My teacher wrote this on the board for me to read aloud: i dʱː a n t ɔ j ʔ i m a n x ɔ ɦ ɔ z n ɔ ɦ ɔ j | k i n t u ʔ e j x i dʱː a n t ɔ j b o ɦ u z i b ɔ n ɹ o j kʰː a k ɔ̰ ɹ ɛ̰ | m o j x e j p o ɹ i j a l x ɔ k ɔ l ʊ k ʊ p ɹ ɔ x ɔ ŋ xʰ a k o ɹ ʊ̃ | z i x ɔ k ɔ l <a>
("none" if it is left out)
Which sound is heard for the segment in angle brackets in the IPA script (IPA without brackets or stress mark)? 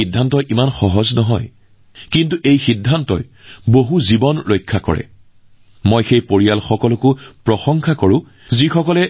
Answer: ɛ